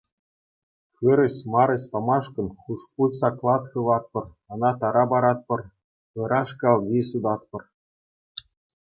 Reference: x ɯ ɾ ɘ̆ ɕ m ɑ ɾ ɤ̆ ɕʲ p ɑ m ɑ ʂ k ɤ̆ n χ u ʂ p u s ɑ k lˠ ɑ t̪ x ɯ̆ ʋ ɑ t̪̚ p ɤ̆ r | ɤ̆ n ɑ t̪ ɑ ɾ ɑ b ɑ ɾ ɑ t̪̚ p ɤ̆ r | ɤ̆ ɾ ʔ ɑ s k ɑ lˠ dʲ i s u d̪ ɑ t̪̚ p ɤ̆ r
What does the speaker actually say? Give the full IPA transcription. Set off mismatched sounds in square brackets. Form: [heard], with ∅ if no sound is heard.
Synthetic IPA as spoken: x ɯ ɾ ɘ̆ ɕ m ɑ ɾ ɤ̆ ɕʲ p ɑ m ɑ ʂ k ɤ̆ n χ u ʂ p u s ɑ k lˠ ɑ t̪ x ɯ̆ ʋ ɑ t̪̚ p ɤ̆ r | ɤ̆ n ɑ t̪ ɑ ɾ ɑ b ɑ ɾ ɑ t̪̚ p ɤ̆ r | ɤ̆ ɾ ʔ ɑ [ʂ] k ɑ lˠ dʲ i s u d̪ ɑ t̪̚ p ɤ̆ r